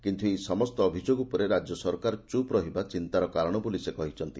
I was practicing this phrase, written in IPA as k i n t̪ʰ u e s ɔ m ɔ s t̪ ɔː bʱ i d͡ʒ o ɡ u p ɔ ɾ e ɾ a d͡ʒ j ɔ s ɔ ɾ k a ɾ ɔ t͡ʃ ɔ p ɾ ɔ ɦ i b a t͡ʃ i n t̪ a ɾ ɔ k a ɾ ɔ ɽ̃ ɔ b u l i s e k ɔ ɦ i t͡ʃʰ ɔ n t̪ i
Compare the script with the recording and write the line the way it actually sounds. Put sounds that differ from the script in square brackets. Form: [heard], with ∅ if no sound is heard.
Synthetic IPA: k i n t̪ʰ u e s ɔ m ɔ s t̪ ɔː bʱ i d͡ʒ o ɡ u p ɔ ɾ e ɾ a d͡ʒ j ɔ s ɔ ɾ k a ɾ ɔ t͡ʃ [u] p ɾ ɔ ɦ i b a t͡ʃ i n t̪ a ɾ ɔ k a ɾ ɔ ɽ̃ ɔ b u l i s e k ɔ ɦ i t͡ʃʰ ɔ n t̪ i